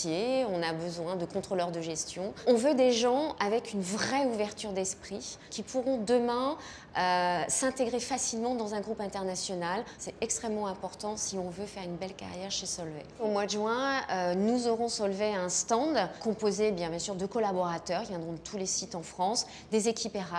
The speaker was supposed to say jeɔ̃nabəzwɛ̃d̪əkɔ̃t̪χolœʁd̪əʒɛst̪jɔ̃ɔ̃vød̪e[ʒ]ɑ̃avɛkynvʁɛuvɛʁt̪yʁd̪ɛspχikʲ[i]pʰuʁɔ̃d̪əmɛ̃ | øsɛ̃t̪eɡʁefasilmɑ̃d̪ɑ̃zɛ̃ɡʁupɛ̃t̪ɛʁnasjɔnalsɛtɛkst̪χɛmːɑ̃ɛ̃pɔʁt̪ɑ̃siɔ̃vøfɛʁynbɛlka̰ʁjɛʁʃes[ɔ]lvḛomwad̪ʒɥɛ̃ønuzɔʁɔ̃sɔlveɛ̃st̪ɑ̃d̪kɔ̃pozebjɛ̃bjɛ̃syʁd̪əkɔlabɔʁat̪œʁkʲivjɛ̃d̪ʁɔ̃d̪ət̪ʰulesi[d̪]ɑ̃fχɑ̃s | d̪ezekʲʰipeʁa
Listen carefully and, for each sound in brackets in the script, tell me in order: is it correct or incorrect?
correct, correct, correct, incorrect: t̪

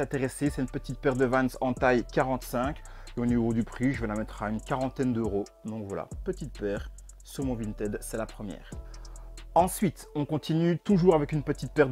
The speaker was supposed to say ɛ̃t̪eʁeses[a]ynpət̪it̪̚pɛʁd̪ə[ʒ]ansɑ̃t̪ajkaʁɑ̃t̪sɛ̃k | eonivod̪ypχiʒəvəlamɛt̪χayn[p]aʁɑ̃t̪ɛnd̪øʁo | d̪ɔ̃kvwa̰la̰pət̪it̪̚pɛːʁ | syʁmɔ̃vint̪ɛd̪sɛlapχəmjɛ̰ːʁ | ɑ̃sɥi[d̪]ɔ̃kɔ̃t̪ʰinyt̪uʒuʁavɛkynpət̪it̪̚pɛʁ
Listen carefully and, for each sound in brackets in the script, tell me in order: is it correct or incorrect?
incorrect: ɛ, incorrect: v, incorrect: k, incorrect: t̪

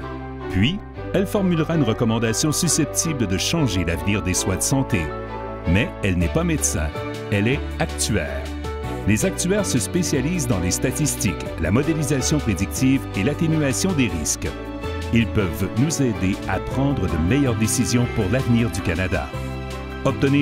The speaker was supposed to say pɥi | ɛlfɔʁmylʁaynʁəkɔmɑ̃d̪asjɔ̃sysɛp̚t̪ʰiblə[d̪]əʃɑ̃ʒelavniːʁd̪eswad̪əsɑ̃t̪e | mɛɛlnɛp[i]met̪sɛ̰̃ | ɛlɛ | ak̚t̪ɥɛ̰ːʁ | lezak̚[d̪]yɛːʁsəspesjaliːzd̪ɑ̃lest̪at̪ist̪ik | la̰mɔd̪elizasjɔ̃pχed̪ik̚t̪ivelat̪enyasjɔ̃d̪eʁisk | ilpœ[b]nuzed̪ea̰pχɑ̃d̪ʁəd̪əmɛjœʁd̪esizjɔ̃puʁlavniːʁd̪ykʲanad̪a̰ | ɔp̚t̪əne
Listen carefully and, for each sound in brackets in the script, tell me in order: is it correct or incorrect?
correct, incorrect: a, incorrect: t̪, incorrect: v

